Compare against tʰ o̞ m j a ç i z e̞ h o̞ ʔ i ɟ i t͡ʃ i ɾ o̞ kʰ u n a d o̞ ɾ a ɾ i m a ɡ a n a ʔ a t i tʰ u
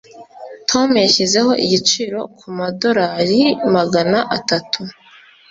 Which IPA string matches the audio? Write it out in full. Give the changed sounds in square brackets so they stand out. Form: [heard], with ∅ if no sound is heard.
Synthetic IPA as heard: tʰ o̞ m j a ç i z e̞ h o̞ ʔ i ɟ i t͡ʃ i ɾ o̞ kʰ u [m] a d o̞ ɾ a ɾ i m a ɡ a n a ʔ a t [a] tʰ u